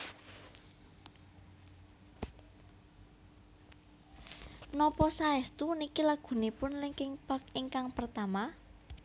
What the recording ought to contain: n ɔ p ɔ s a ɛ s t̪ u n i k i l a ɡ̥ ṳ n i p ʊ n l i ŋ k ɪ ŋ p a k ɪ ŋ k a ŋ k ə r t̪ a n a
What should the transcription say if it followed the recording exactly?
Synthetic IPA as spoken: n ɔ p ɔ s a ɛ s t̪ u n i k i l a ɡ̥ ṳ n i p ʊ n l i ŋ k ɪ ŋ p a k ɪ ŋ k a ŋ p ə r t̪ a m a